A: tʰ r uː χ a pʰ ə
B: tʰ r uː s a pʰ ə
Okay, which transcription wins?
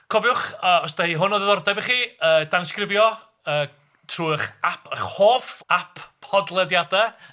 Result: A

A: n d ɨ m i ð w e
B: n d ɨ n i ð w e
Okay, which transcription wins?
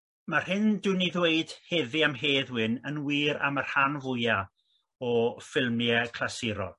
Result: B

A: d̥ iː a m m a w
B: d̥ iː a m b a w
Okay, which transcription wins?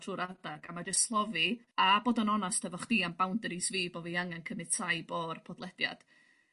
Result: B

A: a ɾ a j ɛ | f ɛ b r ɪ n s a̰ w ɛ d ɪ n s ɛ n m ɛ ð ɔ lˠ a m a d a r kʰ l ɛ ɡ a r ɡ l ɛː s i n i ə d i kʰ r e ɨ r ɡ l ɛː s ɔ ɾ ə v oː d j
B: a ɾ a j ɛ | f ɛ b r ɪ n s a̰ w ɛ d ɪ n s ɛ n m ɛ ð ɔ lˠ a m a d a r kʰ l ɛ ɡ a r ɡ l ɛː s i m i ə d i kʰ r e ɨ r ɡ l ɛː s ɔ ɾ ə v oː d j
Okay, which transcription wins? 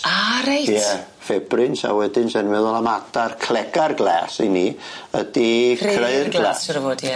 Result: A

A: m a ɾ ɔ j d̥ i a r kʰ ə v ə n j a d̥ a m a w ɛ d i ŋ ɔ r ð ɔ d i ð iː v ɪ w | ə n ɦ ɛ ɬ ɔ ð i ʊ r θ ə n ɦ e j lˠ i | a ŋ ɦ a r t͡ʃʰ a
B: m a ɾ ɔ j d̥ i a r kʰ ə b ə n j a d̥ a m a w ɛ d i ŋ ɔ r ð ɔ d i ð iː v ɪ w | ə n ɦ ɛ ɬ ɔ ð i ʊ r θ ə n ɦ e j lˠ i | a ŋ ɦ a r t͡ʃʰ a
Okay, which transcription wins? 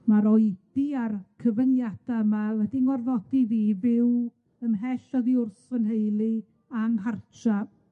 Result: A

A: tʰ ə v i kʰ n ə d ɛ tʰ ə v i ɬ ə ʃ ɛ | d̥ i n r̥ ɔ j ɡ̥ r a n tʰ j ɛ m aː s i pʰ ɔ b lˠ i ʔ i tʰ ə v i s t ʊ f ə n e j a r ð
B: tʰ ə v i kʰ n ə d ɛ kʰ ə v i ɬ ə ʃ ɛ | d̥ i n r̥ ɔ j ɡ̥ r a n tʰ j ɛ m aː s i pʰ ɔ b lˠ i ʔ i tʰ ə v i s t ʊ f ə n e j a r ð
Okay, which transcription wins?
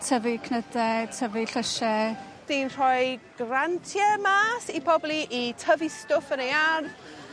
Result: A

